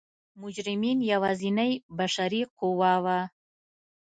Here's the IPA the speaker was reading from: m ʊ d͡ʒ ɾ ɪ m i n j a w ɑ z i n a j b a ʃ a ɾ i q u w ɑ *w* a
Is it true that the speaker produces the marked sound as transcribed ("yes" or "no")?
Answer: yes